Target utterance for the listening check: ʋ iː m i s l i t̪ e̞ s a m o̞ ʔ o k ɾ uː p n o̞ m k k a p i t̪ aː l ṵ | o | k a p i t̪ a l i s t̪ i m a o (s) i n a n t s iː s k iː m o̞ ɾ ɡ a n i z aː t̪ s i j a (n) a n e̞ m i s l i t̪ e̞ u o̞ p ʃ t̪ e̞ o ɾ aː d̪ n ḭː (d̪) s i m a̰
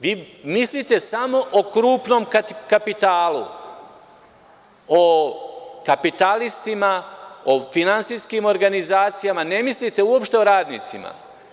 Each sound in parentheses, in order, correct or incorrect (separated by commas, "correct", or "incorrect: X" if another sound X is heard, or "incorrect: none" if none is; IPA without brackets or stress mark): incorrect: f, incorrect: m, incorrect: t̪